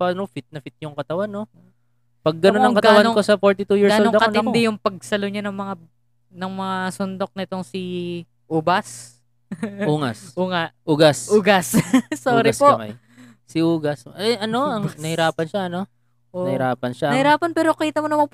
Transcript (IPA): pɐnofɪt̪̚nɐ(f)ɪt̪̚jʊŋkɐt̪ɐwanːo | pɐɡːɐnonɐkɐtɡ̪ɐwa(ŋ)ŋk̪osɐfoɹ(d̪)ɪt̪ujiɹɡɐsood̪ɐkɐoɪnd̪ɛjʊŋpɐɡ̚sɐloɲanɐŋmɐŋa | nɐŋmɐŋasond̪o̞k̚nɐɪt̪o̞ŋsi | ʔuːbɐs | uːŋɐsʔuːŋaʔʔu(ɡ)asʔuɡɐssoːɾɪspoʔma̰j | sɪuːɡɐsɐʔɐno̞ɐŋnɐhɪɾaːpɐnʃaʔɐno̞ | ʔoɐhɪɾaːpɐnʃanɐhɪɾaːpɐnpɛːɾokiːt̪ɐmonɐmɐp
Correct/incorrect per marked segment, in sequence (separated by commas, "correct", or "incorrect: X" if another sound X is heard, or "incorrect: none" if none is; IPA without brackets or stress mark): correct, incorrect: n, incorrect: t̪, correct